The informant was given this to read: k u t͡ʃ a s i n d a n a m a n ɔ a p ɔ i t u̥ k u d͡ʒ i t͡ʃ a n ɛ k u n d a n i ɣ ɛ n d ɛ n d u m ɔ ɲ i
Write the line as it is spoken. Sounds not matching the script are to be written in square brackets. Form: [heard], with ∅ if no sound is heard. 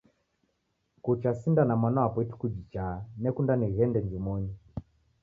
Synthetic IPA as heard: k u t͡ʃ a s i n d a n a m a n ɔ a p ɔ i t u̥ k u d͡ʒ i t͡ʃ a n ɛ k u n d a n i ɣ ɛ n d ɛ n [d͡ʒ] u m ɔ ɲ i